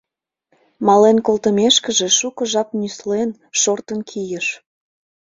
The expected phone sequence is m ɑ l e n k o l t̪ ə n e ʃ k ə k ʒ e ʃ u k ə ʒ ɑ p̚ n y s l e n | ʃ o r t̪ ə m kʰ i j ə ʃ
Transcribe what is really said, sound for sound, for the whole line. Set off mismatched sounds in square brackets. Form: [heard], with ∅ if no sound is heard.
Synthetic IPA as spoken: m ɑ l e n k o l t̪ ə [m] e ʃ k ə [∅] ʒ e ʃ u k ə ʒ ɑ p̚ n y s l e n | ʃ o r t̪ ə [n] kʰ i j ə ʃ